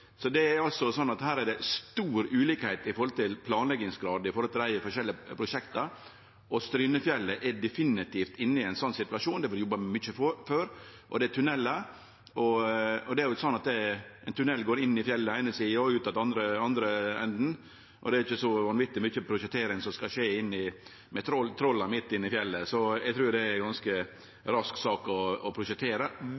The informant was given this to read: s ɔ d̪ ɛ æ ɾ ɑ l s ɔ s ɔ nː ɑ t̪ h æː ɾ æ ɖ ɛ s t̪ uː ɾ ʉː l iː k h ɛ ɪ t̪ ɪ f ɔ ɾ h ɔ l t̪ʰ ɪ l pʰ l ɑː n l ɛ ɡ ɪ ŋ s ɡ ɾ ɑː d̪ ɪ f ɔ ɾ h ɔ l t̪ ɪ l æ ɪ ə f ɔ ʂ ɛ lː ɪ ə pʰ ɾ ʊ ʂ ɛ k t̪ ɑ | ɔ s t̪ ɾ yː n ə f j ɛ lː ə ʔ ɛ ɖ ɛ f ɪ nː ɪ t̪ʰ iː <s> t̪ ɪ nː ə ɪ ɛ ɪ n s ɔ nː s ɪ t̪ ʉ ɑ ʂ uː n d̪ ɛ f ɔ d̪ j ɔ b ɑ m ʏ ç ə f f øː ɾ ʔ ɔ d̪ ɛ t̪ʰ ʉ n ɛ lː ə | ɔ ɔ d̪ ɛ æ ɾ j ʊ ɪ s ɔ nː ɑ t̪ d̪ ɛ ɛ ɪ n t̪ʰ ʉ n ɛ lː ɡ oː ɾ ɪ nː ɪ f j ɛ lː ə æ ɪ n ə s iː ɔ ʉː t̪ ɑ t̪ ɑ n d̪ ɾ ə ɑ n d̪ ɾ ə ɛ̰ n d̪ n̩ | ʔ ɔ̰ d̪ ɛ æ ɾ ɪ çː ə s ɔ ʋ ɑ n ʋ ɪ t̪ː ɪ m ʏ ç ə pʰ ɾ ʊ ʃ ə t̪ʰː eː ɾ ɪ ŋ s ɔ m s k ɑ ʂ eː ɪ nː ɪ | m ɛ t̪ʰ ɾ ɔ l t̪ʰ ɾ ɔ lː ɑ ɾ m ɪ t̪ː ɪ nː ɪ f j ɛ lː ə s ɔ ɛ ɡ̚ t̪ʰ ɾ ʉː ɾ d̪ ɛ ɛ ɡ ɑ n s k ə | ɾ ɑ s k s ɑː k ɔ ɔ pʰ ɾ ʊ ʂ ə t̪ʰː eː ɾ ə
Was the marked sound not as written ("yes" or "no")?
yes